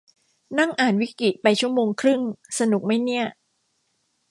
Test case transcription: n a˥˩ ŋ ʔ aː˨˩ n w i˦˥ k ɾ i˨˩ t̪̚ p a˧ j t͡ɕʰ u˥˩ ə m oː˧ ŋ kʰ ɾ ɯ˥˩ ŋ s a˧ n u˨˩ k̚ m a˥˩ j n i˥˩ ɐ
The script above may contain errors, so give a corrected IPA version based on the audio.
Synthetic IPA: n a˥˩ ŋ ʔ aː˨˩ n w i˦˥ k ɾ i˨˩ t̪̚ p a˧ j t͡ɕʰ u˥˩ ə m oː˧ ŋ kʰ ɾ ɯ˥˩ ŋ s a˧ n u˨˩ k̚ m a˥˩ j n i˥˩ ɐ